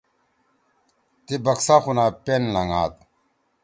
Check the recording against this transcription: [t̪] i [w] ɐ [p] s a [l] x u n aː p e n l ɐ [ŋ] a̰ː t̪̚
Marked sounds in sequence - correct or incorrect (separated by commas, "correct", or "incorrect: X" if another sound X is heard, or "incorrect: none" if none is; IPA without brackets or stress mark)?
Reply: correct, incorrect: b, incorrect: k, incorrect: none, correct